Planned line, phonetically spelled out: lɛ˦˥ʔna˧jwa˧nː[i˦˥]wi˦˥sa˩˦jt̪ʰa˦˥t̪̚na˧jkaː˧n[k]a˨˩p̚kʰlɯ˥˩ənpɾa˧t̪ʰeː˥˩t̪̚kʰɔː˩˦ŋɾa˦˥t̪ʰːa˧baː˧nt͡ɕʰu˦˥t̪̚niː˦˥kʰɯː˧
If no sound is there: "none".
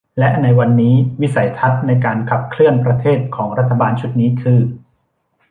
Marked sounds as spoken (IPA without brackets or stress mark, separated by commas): iː˦˥, kʰ